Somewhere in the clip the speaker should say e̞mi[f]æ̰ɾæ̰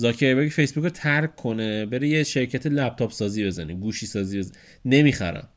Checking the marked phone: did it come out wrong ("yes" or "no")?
yes